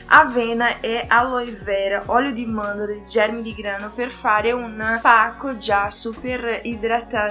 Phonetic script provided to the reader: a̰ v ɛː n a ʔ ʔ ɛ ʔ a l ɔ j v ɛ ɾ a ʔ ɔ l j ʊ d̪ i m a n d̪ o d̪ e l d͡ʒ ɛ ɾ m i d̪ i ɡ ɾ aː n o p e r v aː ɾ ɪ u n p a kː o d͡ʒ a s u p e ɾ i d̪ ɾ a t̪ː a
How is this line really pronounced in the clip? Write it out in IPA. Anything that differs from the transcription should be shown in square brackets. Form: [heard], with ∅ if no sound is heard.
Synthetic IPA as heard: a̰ v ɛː n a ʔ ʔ ɛ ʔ a l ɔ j v ɛ ɾ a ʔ ɔ l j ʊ d̪ i m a n d̪ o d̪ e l d͡ʒ ɛ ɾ m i d̪ i ɡ ɾ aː n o p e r [f] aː ɾ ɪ u n p a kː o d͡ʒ a s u p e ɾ i d̪ ɾ a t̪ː a